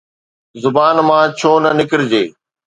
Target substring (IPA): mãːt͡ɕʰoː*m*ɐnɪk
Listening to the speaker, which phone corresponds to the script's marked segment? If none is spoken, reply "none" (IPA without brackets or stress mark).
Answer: n